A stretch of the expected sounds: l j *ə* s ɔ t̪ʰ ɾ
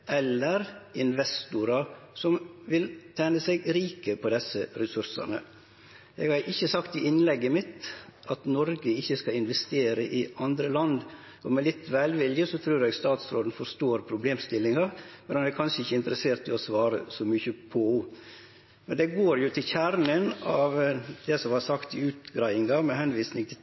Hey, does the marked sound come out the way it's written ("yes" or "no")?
yes